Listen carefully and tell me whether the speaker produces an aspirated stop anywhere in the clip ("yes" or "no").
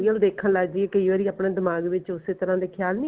yes